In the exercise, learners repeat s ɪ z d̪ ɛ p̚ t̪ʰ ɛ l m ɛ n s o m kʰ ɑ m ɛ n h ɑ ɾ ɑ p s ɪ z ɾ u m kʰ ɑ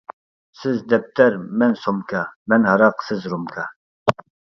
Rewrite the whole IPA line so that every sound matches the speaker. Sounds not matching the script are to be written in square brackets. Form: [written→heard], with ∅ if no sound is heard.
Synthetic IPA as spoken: s ɪ z d̪ ɛ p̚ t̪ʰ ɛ [l→ɾ] m ɛ n s o m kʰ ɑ m ɛ n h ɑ ɾ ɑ [p→q] s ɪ z ɾ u m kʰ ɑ